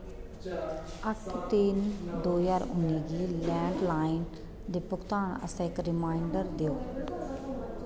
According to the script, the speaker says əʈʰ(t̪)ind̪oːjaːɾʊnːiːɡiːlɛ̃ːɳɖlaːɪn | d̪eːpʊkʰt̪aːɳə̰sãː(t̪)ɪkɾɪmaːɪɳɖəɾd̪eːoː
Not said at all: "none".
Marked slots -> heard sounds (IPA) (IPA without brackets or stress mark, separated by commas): t̪, none